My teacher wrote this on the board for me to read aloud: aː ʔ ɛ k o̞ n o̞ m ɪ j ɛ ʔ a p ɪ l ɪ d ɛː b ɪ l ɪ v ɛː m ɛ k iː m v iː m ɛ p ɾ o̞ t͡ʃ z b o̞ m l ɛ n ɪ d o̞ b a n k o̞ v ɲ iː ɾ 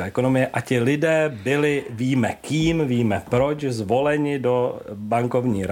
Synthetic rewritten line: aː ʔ ɛ k o̞ n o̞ m ɪ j ɛ ʔ a c ɪ l ɪ d ɛː b ɪ l ɪ v iː m ɛ k iː m v iː m ɛ p ɾ o̞ t͡ʃ z v o̞ l ɛ ɲ ɪ d o̞ b a ŋ k o̞ v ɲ iː ɾ